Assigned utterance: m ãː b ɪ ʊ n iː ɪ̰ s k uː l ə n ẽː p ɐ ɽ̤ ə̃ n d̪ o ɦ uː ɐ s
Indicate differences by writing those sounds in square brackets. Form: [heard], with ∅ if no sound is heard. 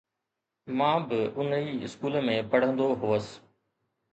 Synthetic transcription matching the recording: m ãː b ɪ ʊ n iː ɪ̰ s k uː l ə [m] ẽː p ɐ ɽ̤ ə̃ n d̪ o ɦ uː [ə] s